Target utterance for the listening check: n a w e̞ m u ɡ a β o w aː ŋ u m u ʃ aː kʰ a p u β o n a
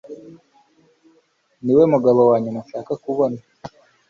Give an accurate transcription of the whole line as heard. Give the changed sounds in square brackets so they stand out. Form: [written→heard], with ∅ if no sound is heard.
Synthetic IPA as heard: n [a→i] w e̞ m u ɡ a β o w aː [ŋ→ɲ] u m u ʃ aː [kʰ→k] a [p→k] u β o n a